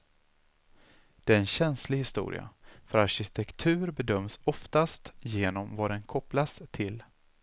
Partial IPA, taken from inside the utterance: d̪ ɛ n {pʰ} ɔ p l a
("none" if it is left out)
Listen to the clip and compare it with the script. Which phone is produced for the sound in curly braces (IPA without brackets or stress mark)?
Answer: kʰ